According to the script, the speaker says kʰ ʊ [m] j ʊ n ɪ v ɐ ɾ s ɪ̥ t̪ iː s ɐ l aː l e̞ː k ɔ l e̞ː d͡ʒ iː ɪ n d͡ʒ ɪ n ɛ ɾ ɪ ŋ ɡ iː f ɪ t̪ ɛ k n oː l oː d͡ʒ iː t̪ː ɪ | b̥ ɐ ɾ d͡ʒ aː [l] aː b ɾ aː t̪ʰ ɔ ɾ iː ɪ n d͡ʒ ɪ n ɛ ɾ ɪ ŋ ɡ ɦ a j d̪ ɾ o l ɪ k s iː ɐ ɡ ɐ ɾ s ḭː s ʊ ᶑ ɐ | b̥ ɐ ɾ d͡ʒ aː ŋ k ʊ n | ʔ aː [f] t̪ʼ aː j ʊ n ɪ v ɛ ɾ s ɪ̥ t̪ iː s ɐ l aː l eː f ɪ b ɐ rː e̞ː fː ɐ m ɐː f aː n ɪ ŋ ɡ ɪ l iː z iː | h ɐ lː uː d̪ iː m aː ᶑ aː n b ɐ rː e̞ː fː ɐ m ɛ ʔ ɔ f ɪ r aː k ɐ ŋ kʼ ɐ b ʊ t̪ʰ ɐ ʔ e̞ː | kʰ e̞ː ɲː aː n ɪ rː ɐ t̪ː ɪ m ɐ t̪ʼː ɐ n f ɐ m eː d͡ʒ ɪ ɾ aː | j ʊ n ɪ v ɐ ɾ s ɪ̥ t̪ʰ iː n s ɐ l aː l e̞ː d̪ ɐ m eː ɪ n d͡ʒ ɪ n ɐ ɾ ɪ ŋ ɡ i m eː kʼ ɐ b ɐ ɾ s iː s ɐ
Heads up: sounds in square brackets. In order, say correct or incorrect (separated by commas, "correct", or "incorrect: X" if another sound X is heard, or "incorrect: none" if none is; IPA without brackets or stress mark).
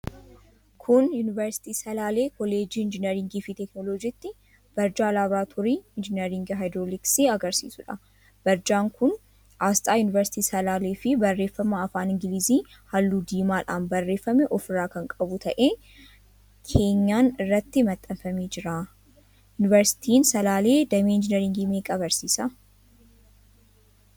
incorrect: n, correct, incorrect: s